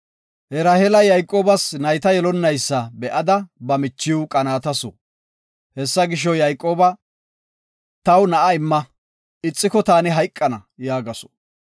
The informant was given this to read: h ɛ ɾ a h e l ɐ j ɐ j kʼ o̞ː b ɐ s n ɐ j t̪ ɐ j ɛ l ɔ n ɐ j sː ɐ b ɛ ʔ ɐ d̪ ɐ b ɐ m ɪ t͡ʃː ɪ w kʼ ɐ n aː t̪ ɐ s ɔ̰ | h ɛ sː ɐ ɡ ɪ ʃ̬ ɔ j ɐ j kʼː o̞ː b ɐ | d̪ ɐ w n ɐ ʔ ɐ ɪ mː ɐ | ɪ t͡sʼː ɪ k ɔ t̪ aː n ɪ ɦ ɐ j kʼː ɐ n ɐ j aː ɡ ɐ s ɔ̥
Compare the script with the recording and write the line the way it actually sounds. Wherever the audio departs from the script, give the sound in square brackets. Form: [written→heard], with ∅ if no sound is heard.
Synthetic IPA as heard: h ɛ ɾ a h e l ɐ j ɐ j kʼ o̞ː b ɐ s n ɐ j t̪ ɐ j ɛ l ɔ [n→nː] ɐ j sː ɐ b ɛ ʔ ɐ d̪ ɐ b ɐ m ɪ t͡ʃː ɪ w kʼ ɐ n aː t̪ ɐ s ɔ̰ | h ɛ sː ɐ ɡ ɪ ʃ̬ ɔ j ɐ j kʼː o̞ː b ɐ | [d̪→t̪] ɐ w n ɐ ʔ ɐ ɪ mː ɐ | ɪ t͡sʼː ɪ k ɔ t̪ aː n ɪ ɦ ɐ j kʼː ɐ n ɐ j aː ɡ ɐ s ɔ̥